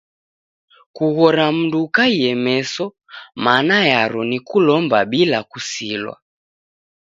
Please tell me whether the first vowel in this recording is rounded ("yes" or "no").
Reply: yes